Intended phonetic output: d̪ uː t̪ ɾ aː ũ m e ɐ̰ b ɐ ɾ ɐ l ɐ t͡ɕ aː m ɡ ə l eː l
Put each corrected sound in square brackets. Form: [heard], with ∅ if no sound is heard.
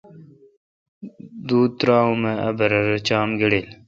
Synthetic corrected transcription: d̪ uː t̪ ɾ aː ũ m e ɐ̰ b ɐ ɾ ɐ [ɾ] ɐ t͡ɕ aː m ɡ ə [ɽ] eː l